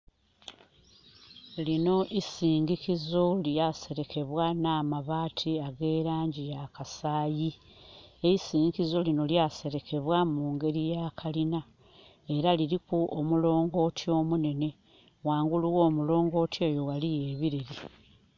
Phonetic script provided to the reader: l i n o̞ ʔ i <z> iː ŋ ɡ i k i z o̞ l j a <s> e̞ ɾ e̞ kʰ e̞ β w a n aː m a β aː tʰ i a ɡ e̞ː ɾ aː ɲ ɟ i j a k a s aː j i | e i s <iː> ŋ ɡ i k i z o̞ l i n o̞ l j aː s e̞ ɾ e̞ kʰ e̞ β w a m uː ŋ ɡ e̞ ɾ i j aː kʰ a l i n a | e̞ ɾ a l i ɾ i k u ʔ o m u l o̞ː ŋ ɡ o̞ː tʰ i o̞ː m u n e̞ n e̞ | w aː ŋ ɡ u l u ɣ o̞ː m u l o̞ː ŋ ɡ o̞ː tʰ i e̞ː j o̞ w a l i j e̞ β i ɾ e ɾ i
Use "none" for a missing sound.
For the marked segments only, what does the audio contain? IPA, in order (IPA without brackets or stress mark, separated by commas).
s, s, iː